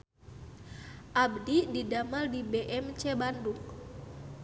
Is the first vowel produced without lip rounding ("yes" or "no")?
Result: yes